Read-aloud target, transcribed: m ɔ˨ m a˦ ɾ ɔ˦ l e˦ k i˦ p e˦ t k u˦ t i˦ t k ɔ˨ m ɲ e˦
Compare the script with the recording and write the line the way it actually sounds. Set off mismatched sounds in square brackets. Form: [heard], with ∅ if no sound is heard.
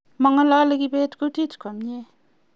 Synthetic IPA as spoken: m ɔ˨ [ŋ] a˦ [l] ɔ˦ l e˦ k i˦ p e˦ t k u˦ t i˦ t k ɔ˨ m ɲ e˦

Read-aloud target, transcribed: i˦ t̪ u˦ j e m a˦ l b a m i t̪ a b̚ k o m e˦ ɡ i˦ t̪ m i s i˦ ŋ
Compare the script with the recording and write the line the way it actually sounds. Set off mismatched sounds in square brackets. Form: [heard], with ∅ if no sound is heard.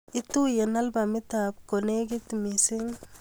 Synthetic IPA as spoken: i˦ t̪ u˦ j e [n] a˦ l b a m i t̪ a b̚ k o [n] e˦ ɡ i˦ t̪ m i s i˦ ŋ

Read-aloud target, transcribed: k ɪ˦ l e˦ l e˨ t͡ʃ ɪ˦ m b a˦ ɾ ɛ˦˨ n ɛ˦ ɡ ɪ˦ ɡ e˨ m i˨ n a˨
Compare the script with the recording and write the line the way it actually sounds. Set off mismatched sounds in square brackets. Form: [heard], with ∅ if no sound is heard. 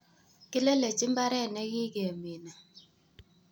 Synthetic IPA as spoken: k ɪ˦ l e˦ l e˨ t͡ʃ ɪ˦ m b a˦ ɾ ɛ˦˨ n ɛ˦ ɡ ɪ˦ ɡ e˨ m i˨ n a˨

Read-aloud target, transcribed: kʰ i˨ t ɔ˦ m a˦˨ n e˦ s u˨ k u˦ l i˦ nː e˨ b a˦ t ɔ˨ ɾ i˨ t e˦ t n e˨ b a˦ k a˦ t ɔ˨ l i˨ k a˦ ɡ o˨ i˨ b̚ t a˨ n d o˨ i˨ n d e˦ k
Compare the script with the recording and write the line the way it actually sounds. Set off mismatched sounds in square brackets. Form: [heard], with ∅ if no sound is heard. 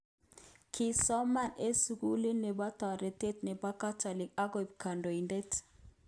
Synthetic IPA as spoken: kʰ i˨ [s] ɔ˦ m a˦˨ n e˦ s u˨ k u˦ l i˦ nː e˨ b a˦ t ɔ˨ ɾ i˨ t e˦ t n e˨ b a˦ k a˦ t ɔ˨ l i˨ k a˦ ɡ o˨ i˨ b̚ [k] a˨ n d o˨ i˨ n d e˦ [t]

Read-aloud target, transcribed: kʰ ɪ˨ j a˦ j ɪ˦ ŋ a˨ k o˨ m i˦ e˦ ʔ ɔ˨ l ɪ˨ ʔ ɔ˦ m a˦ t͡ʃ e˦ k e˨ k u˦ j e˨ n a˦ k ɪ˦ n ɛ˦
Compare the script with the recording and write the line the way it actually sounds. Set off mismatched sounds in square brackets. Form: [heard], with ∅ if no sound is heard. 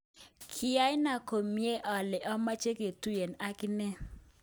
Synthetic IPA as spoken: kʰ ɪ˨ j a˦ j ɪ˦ [n] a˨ k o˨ m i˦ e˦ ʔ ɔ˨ l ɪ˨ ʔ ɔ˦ m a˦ t͡ʃ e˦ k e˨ [t] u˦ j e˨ n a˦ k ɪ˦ n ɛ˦

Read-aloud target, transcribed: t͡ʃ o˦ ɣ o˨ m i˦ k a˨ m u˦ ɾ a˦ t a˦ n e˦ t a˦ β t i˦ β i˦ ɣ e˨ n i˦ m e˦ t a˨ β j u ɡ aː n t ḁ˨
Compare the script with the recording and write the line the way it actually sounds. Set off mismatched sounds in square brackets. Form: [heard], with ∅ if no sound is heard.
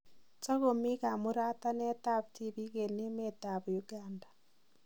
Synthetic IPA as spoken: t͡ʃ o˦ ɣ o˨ m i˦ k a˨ m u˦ ɾ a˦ t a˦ n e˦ t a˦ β t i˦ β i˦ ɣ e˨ n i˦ m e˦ t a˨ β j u ɡ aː n [d] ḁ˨

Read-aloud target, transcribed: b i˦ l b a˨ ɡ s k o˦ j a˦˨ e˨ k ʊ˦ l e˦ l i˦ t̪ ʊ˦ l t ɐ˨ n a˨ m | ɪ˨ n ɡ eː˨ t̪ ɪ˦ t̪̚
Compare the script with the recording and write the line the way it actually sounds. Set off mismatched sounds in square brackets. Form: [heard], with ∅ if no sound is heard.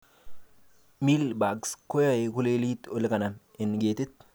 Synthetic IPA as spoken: [m] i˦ l b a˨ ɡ s k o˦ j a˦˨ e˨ k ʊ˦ l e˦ l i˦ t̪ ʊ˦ l [k] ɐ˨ n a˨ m | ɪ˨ n ɡ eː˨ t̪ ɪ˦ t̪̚

